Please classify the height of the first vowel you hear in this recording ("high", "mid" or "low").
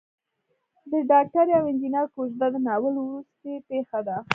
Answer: mid